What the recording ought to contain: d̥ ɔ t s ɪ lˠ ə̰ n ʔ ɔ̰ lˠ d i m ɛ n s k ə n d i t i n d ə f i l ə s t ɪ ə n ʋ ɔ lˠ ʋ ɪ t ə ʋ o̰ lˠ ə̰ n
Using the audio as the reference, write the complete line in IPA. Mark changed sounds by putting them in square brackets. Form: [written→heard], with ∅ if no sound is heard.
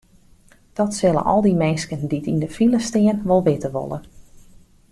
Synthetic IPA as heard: d̥ ɔ t s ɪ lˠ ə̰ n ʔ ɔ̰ lˠ d i m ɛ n s k ə n d i t i n d ə f i l ə s t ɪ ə n ʋ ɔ lˠ ʋ ɪ t ə ʋ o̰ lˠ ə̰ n